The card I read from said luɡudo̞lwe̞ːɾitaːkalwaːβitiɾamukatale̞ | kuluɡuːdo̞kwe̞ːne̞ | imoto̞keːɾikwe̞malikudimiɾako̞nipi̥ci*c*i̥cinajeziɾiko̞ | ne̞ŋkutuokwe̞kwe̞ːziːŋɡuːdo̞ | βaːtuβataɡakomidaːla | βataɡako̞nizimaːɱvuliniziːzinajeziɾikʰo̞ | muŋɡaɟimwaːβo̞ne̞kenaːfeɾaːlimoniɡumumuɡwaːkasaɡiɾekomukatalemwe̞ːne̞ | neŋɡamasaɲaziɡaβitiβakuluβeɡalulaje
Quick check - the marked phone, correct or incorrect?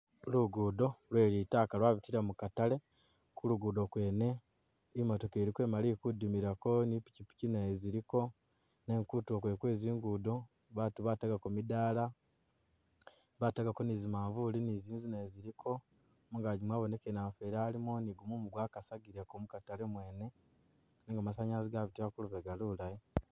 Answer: incorrect